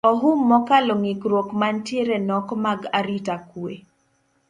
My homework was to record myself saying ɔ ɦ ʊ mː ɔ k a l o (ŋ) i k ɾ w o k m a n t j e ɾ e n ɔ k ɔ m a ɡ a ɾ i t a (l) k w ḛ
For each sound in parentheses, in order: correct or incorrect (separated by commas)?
correct, incorrect